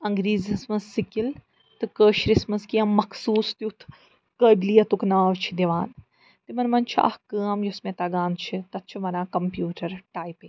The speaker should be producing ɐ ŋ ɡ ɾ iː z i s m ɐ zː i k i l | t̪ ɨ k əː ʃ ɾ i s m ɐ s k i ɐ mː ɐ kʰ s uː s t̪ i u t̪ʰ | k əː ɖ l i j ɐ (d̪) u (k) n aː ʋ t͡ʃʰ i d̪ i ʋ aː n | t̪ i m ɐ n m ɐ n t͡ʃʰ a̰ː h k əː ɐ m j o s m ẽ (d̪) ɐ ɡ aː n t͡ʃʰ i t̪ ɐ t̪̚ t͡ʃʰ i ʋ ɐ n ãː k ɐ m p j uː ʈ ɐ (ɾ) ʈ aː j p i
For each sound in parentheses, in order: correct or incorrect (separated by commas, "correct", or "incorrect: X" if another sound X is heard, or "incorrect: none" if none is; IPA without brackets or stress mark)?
incorrect: t̪, correct, incorrect: t̪, correct